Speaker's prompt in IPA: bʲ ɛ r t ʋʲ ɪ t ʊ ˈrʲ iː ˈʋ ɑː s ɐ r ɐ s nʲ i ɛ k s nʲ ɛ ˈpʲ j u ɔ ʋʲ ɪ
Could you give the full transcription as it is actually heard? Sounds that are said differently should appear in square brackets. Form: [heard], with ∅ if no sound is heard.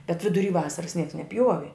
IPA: bʲ ɛ [∅] t ʋʲ ɪ [d] ʊ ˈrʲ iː ˈʋ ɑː s ɐ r ɐ s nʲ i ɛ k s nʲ ɛ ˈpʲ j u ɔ ʋʲ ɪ